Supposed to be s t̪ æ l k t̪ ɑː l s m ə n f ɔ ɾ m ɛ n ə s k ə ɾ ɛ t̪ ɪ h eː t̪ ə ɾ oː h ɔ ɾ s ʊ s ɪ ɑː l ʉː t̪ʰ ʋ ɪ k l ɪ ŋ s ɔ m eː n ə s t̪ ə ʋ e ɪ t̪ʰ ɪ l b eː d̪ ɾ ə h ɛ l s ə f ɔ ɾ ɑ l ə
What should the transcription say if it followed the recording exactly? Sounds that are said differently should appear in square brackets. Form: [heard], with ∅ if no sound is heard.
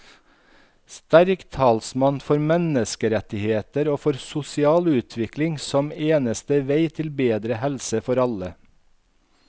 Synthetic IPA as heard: s t̪ æ [ɾ] k [t̪ʰ] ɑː l s m [ɑ] n f ɔ ɾ m ɛ n ə s k ə ɾ ɛ t̪ ɪ h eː t̪ ə ɾ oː [f] ɔ ɾ s ʊ s ɪ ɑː l ʉː t̪ʰ ʋ ɪ k l ɪ ŋ s ɔ m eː n ə s t̪ ə ʋ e ɪ t̪ʰ ɪ l b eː d̪ ɾ ə h ɛ l s ə f ɔ ɾ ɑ l ə

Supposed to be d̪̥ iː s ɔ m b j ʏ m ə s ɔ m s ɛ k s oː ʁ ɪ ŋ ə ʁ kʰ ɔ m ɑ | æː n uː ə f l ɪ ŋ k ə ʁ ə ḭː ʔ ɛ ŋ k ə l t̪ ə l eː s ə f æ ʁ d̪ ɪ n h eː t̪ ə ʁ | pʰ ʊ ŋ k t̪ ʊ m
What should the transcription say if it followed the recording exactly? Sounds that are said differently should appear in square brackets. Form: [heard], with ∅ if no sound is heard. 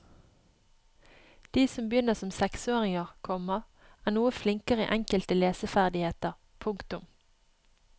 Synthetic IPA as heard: d̪̥ iː s ɔ m b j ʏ [n] ə s ɔ m s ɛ k s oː ʁ ɪ ŋ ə ʁ kʰ ɔ m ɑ | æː n uː ə f l ɪ ŋ k ə ʁ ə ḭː ʔ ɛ ŋ k ə l t̪ ə l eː s ə f æ ʁ d̪ ɪ [∅] h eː t̪ ə ʁ | pʰ ʊ ŋ k t̪ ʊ m

